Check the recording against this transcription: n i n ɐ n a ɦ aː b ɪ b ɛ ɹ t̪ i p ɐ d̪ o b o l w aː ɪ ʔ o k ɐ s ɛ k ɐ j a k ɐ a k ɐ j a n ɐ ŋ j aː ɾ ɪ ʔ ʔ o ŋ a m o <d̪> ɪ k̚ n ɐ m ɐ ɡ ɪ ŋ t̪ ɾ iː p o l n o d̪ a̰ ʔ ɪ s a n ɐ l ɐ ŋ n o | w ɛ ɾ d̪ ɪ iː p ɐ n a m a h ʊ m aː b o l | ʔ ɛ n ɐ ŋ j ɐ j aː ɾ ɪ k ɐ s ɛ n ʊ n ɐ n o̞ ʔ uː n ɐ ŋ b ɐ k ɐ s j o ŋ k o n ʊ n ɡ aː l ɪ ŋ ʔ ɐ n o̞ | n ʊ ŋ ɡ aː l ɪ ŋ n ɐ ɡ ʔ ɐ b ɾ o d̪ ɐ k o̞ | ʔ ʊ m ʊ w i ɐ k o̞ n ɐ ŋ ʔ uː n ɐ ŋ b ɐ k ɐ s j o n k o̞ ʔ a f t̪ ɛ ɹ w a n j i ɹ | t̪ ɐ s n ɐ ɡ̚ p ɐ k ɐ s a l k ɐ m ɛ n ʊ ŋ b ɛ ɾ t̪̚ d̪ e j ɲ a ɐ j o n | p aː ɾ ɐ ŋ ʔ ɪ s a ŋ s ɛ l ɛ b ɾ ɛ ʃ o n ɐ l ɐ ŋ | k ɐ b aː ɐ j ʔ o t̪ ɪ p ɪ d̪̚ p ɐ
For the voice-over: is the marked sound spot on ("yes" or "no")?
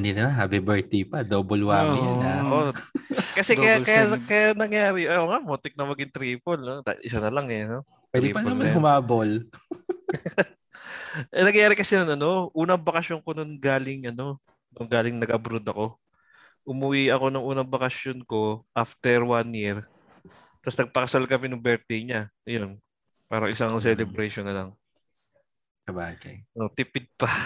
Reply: no